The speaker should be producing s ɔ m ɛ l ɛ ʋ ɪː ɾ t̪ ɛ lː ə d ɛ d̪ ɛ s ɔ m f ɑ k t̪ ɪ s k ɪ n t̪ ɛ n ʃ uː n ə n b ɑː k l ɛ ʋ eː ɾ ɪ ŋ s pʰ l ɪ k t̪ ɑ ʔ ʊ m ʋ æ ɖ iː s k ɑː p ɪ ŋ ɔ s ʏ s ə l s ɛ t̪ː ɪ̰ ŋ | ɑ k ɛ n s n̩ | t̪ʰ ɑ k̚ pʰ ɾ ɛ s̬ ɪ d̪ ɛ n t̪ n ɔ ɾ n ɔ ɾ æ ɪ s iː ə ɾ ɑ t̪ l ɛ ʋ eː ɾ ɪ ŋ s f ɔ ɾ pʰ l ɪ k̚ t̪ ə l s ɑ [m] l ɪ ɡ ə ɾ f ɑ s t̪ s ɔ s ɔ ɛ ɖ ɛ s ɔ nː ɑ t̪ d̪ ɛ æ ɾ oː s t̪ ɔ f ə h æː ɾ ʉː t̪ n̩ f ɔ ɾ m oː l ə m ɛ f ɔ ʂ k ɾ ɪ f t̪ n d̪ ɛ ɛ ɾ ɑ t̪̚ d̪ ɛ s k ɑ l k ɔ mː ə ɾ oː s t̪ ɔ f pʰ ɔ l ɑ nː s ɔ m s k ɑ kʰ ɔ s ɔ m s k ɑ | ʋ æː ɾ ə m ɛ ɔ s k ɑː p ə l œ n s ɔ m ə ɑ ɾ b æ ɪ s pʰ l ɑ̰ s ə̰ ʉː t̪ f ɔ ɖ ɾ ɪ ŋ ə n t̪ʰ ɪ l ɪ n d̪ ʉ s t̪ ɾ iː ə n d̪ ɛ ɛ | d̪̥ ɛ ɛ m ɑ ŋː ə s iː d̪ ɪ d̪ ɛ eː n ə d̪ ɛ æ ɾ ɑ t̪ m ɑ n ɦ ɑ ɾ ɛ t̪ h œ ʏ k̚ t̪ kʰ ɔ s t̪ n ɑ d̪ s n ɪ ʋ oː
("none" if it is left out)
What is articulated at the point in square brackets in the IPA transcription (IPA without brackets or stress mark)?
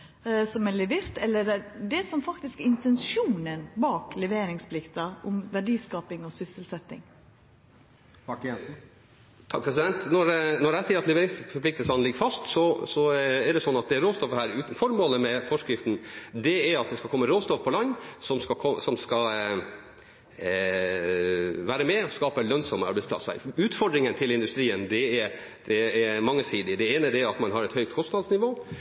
n